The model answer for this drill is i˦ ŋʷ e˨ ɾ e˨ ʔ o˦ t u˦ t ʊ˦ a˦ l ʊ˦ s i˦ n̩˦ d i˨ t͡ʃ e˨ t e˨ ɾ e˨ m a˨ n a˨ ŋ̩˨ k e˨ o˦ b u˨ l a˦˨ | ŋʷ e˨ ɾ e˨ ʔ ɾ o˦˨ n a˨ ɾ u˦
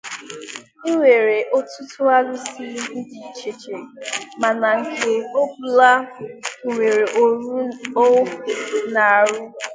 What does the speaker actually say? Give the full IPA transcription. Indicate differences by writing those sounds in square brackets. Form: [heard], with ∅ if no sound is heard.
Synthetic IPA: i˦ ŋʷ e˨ ɾ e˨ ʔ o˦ t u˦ t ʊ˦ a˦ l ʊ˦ s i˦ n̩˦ d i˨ t͡ʃ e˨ [t͡ʃ] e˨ ɾ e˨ m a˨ n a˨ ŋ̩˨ k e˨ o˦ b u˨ l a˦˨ | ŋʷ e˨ ɾ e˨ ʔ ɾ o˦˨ n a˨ ɾ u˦